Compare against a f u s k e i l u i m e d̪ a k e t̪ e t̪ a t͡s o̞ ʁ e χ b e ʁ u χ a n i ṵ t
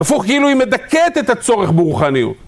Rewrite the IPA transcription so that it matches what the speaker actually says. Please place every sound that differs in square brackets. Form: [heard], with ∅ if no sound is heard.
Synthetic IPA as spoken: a f u [χ] k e i l u i m e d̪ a k e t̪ e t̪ a t͡s o̞ ʁ e χ b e ʁ u χ a n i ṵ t